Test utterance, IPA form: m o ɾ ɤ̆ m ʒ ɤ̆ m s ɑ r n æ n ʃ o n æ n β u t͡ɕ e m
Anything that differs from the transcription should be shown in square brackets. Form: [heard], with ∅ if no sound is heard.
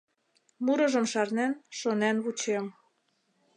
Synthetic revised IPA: m [u] ɾ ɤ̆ [∅] ʒ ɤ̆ m [ʃ] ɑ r n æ n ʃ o n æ n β u t͡ɕ e m